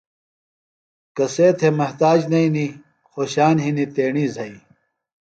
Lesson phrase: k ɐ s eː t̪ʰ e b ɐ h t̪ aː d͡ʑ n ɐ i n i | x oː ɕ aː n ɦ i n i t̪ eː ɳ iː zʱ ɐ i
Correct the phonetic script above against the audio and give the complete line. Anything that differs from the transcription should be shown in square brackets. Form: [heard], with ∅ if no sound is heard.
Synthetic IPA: k ɐ s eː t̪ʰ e [m] ɐ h t̪ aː d͡ʑ n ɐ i n i | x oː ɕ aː n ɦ i n i t̪ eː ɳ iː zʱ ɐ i